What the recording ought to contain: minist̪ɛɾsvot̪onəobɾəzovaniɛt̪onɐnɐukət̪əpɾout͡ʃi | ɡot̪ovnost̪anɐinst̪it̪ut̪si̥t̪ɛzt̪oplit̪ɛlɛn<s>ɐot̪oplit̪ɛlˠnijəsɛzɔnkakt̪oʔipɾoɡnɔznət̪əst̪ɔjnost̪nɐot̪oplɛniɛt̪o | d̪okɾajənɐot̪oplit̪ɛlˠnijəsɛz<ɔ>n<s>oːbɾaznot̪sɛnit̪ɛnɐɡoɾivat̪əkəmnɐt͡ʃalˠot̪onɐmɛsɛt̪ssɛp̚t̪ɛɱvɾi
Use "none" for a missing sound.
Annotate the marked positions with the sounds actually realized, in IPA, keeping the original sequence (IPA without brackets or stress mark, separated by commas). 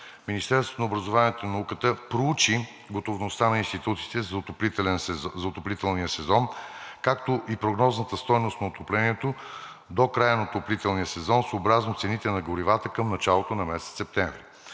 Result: z, ɔ, s